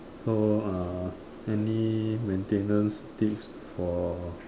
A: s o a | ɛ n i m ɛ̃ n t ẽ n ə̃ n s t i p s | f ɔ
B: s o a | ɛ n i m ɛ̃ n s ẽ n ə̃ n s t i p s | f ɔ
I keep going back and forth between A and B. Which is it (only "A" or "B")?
A